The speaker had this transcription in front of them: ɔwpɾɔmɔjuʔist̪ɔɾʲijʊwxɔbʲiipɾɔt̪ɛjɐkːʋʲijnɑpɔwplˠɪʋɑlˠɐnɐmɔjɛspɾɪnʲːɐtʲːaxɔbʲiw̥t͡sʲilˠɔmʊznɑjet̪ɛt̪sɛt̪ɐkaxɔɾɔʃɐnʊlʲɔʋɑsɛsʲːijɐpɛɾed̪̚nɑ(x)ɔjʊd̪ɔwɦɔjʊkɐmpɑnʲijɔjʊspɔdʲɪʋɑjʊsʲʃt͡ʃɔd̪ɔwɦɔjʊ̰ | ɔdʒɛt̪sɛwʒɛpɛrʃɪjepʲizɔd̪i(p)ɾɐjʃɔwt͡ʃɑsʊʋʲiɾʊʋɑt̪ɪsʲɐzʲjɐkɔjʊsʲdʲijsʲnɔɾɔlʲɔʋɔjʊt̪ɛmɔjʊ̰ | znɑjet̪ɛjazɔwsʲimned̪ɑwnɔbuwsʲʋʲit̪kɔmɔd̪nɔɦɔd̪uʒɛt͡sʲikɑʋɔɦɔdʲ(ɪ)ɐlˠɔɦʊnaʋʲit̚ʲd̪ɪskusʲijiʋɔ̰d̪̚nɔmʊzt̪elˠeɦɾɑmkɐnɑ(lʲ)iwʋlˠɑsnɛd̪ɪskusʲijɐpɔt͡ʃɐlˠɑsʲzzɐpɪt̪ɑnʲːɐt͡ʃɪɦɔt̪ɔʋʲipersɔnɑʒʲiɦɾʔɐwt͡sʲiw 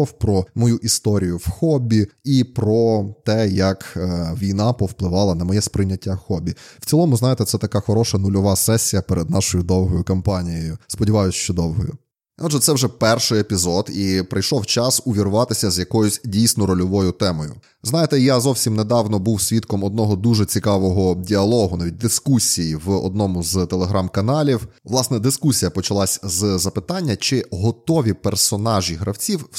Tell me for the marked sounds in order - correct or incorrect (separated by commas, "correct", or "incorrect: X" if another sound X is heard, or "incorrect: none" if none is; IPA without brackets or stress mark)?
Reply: incorrect: ʃ, correct, incorrect: i, correct